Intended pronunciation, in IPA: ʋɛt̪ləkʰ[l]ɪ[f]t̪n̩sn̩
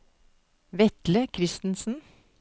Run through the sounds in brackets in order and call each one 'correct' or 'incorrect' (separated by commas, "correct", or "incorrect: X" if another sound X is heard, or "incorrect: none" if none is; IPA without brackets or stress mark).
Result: incorrect: ɾ, incorrect: s